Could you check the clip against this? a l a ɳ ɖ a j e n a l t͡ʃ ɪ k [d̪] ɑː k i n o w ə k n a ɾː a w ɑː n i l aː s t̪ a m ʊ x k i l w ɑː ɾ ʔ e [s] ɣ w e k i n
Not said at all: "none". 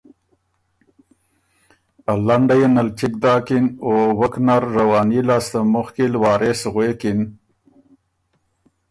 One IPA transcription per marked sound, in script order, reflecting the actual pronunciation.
d̪, s

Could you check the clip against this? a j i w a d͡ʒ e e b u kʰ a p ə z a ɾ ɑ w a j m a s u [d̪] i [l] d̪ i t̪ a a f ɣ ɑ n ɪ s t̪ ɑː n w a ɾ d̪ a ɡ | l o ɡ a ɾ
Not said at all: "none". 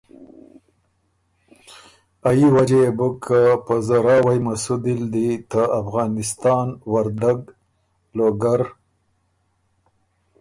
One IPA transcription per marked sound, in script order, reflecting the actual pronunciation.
d̪, l

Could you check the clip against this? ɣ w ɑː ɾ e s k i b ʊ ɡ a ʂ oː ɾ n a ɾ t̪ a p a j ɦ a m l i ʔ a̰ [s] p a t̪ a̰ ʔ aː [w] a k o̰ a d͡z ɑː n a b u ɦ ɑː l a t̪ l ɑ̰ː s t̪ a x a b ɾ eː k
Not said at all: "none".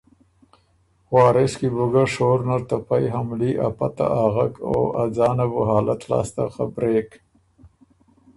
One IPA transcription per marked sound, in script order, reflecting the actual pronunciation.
none, ɣ

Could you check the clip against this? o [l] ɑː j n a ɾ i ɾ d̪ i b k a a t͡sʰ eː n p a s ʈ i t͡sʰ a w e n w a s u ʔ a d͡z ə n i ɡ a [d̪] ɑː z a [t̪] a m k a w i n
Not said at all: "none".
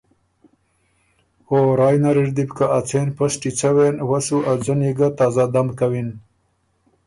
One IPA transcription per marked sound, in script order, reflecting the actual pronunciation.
ɾ, t̪, d̪

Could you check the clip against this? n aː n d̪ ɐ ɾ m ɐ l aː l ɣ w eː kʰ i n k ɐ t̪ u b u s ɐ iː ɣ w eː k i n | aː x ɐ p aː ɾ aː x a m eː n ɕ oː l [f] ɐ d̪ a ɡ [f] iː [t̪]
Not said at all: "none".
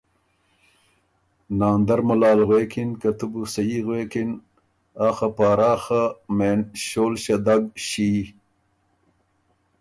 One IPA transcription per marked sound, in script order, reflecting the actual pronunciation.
ɕ, ɕ, none

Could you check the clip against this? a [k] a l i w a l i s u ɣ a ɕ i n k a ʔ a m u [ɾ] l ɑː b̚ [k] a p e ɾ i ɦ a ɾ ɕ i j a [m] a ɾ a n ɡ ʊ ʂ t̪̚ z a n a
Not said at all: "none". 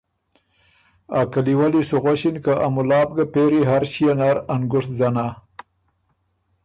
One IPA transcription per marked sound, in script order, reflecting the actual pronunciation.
k, none, ɡ, n

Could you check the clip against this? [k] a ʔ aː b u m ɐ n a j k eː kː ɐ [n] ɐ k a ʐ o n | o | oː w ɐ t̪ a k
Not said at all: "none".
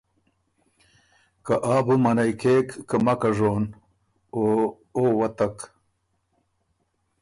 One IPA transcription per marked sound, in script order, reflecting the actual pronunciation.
k, m

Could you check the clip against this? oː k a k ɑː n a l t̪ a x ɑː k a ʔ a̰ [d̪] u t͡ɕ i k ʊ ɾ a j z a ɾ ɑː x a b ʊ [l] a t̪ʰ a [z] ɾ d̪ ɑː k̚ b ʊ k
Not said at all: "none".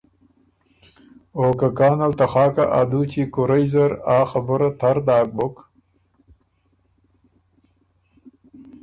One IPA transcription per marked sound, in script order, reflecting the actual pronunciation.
d̪, ɾ, none

